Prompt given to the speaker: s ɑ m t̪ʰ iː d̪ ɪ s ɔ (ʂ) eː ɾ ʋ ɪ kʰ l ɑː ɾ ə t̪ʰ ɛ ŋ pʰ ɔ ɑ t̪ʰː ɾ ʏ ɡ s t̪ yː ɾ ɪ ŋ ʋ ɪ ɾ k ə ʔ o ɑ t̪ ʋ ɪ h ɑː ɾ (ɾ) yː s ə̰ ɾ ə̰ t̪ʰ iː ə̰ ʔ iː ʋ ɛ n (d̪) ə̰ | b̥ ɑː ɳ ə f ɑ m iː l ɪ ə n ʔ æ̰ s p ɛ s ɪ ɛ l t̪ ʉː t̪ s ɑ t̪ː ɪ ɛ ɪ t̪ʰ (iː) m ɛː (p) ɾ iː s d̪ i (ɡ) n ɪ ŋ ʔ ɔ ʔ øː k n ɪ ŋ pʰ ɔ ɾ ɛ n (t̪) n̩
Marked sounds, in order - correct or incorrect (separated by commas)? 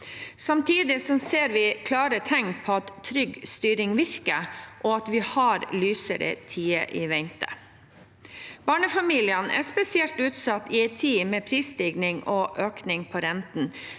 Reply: incorrect, incorrect, incorrect, correct, incorrect, correct, correct